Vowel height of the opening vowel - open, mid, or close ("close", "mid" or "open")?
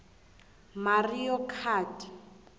open